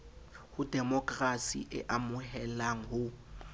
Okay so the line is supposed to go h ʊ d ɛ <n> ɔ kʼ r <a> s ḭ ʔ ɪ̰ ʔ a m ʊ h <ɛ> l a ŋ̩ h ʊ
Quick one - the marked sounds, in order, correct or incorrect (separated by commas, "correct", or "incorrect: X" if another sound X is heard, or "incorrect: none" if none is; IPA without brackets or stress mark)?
incorrect: m, correct, correct